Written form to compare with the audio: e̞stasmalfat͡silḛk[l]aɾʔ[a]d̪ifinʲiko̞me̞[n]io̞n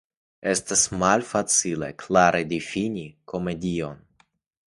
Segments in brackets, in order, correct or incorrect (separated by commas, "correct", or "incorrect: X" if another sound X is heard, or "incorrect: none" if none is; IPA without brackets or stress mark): correct, incorrect: e, incorrect: d